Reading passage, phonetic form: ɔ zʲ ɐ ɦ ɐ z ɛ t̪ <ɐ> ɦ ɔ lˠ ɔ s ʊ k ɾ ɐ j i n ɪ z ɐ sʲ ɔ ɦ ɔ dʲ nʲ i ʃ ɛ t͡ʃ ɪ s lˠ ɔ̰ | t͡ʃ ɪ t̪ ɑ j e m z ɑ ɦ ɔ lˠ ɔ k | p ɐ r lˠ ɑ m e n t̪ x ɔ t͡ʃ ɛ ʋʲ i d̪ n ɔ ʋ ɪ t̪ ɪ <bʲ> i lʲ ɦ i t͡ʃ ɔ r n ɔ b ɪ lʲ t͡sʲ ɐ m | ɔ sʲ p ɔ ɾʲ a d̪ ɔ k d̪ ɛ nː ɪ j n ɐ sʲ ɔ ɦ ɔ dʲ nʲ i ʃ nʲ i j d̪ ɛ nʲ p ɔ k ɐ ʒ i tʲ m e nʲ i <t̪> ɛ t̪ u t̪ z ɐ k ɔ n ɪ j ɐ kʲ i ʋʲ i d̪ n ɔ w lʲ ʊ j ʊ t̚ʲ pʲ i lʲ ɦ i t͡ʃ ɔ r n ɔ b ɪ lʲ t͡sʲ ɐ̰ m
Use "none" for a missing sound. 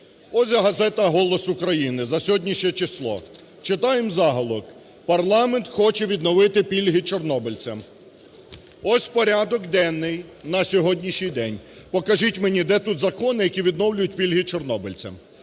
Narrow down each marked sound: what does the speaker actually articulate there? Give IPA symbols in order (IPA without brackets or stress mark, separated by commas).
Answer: ɐ, pʲ, d̪